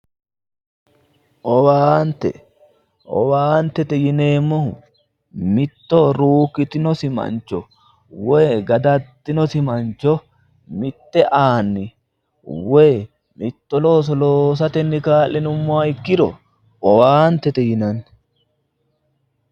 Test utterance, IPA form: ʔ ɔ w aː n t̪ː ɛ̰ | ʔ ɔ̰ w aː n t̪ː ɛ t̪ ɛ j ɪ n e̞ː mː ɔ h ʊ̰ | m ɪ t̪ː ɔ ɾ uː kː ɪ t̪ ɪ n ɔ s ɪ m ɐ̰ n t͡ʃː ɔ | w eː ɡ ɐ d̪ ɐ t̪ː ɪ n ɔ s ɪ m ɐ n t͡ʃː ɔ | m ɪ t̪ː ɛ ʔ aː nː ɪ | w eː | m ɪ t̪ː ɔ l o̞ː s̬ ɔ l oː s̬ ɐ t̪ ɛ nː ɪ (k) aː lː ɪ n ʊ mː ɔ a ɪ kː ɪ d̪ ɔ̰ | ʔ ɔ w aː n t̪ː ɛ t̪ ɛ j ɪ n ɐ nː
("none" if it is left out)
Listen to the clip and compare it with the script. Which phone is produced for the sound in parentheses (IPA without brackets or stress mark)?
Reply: k